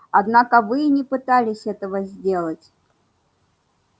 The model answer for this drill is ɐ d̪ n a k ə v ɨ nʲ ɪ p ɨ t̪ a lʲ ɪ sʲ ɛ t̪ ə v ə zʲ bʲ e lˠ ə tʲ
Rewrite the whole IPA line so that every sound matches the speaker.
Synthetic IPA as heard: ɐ d̪ n a k ə v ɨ nʲ ɪ p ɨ t̪ a lʲ ɪ sʲ ɛ t̪ ə v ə zʲ dʲ e lˠ ə tʲ